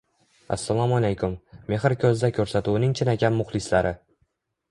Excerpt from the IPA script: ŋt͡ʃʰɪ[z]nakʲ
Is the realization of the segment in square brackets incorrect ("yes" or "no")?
yes